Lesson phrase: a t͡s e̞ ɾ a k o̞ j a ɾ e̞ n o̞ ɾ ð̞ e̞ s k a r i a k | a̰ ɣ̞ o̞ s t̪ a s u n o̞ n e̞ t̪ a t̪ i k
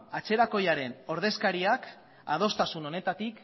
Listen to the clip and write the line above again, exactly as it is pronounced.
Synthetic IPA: a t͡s e̞ ɾ a k o̞ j a ɾ e̞ n o̞ ɾ ð̞ e̞ s k a ɾ i a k | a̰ ð̞ o̞ s t̪ a s u n o̞ n e̞ t̪ a t̪ i k